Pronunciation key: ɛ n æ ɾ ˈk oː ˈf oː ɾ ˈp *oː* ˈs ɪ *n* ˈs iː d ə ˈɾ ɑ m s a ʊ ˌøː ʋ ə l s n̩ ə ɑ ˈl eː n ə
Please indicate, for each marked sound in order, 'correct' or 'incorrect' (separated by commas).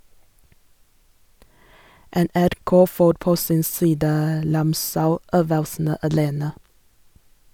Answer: correct, correct